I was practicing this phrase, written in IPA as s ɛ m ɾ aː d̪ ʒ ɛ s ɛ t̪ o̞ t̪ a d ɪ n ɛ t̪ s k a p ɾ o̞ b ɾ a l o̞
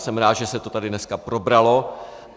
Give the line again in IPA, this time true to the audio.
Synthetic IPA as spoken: s ɛ m ɾ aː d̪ ʒ ɛ s ɛ t̪ o̞ t̪ a d ɪ n ɛ s k a p ɾ o̞ b ɾ a l o̞